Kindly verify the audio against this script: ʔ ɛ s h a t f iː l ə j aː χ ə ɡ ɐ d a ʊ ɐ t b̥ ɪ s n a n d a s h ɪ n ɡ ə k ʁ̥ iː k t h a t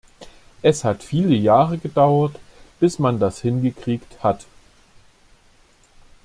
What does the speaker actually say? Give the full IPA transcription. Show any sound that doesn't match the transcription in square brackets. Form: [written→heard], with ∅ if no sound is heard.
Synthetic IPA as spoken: ʔ ɛ s h a t f iː l ə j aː [χ→ʁ] ə ɡ [ɐ→ə] d a ʊ ɐ t b̥ ɪ s [n→m] a n d a s h ɪ n ɡ ə k ʁ̥ iː k t h a t

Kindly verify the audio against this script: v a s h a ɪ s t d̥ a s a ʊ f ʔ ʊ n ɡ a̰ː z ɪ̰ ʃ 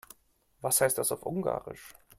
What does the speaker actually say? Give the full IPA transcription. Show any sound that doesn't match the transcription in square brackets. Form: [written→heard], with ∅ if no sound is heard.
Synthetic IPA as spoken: v a s h a ɪ s t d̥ a s a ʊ f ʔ ʊ [n→ŋ] ɡ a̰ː [z→ʁ] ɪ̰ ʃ

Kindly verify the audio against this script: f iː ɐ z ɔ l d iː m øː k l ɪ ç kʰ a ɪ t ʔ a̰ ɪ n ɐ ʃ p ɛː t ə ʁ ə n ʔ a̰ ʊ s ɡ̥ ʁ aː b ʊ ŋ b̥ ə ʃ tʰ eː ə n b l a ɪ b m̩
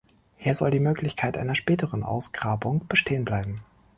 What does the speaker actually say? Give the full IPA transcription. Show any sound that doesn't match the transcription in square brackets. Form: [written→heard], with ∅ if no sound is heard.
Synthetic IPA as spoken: [f→h] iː ɐ z ɔ l d iː m øː k l ɪ ç kʰ a ɪ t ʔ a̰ ɪ n ɐ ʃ p ɛː t ə ʁ ə n ʔ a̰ ʊ s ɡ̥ ʁ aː b ʊ ŋ b̥ ə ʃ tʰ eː ə n b l a ɪ b m̩

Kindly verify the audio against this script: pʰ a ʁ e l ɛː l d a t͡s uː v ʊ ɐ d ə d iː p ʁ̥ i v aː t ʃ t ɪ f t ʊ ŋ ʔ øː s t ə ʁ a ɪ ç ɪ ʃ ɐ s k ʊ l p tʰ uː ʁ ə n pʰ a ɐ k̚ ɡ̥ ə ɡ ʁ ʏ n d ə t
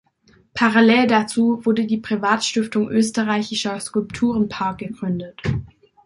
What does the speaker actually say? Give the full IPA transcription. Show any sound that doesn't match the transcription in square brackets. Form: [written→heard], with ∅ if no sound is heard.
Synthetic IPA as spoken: pʰ a ʁ [e→a] l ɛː l d a t͡s uː v ʊ ɐ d ə d iː p ʁ̥ i v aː t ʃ t ɪ f t ʊ ŋ ʔ øː s t ə ʁ a ɪ ç ɪ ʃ ɐ s k ʊ l p tʰ uː ʁ ə n pʰ a ɐ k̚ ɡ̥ ə ɡ ʁ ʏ n d ə t

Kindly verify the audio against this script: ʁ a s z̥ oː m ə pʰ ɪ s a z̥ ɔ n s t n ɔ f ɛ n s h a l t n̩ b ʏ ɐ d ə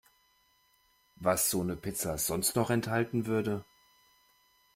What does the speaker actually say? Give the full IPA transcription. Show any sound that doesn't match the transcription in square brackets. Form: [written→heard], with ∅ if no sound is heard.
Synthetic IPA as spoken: [ʁ→v] a s z̥ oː [m→n] ə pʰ ɪ [s→t͡s] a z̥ ɔ n s t n ɔ [f→χ] ɛ n [s→t] h a l t n̩ [b→v] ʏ ɐ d ə

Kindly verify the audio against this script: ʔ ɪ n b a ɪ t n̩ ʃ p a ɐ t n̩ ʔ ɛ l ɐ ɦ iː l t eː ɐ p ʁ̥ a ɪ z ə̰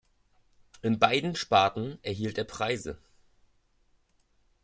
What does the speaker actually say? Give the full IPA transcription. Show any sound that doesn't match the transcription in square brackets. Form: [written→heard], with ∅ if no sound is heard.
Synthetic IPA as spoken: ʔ ɪ n b a ɪ [t→d] n̩ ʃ p a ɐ t n̩ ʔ ɛ [l→∅] ɐ ɦ iː l t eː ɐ p ʁ̥ a ɪ z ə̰

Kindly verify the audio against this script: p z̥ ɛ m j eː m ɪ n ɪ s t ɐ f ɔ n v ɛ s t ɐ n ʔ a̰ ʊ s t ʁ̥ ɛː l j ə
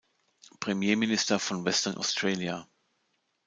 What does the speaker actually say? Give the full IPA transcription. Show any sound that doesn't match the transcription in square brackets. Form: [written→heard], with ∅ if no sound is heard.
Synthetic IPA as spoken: p [z̥→ʁ̥] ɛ m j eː m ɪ n ɪ s t ɐ f ɔ n v ɛ s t ɐ n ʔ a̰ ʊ s t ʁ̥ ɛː l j [ə→a]

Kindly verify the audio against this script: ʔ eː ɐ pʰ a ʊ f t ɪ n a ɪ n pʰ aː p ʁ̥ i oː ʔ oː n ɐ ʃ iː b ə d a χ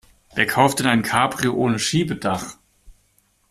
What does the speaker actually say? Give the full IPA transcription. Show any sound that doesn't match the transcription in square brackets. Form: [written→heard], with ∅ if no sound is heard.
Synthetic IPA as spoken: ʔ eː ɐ [pʰ→kʰ] a ʊ f t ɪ n a ɪ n [pʰ→kʰ] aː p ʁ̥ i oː ʔ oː n [ɐ→ə] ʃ iː b ə d a χ

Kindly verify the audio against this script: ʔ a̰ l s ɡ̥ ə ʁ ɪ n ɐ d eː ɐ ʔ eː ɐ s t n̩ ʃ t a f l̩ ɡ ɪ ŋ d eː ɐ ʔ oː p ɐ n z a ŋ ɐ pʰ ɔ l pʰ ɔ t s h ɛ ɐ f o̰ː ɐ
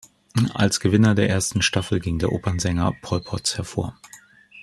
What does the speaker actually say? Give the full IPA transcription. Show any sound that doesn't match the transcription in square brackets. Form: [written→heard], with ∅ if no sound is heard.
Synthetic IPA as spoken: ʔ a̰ l s ɡ̥ ə [ʁ→v] ɪ n ɐ d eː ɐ ʔ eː ɐ s t n̩ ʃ t a f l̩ ɡ ɪ ŋ d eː ɐ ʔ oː p ɐ n z [a→ɛ] ŋ ɐ pʰ ɔ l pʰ ɔ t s h ɛ ɐ f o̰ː ɐ

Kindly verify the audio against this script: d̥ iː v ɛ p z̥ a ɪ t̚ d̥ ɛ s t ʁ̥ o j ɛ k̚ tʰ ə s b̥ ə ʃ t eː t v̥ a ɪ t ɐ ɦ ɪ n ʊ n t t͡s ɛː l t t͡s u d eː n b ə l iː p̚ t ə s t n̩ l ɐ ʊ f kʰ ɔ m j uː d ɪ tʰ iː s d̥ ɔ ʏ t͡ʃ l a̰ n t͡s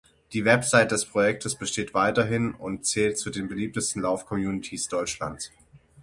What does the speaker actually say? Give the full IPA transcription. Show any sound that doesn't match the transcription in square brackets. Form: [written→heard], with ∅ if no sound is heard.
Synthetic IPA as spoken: d̥ iː v ɛ p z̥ a ɪ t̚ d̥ ɛ s [t→p] ʁ̥ o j ɛ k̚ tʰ ə s b̥ ə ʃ t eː t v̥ a ɪ t ɐ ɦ ɪ n ʊ n t t͡s ɛː l t t͡s u d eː n b ə l iː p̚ t ə s t n̩ l [ɐ→a] ʊ f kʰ ɔ m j uː [d→n] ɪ tʰ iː s d̥ ɔ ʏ t͡ʃ l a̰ n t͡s

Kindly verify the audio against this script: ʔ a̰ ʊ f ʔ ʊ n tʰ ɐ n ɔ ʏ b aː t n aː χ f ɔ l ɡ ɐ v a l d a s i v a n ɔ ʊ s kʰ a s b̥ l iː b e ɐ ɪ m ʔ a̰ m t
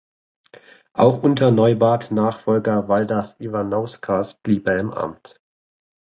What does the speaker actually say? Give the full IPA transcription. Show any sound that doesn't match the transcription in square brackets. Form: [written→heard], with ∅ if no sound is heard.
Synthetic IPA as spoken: ʔ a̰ ʊ [f→x] ʔ ʊ n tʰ ɐ n ɔ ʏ b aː t n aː χ f ɔ l ɡ ɐ v a l d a s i v a n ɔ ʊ s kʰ a s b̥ l iː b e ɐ ɪ m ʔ a̰ m t

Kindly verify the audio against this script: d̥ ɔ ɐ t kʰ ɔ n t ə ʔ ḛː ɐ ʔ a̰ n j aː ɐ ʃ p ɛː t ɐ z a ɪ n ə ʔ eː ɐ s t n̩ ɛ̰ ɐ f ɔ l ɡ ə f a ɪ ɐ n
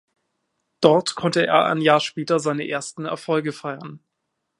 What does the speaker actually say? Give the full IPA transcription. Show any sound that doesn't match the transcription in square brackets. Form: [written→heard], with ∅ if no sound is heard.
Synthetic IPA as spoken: d̥ ɔ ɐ t kʰ ɔ n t ə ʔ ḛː ɐ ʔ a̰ n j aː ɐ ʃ p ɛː t ɐ z a ɪ n ə ʔ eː ɐ s t n̩ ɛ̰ ɐ f ɔ l ɡ ə f a ɪ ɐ n

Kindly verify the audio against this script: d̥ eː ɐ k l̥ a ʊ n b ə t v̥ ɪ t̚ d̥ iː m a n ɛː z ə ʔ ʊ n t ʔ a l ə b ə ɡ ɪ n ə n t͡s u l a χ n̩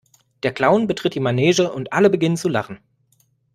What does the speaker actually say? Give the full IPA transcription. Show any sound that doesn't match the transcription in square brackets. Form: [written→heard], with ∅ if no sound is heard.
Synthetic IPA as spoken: d̥ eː ɐ k l̥ a ʊ n b ə t [v̥→ʁ̥] ɪ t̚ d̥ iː m a n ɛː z ə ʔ ʊ n t ʔ a l ə b ə ɡ ɪ n ə n t͡s u l a χ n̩

